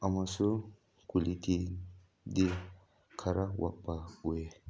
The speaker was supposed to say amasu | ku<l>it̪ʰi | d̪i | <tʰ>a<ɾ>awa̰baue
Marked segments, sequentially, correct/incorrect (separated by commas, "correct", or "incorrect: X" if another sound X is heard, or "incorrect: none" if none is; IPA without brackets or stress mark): correct, incorrect: kʰ, correct